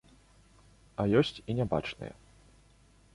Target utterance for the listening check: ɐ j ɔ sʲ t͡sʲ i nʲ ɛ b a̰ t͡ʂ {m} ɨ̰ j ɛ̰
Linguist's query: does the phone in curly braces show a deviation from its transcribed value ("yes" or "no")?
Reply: yes